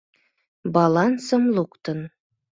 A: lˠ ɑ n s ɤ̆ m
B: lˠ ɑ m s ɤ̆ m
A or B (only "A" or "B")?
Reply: A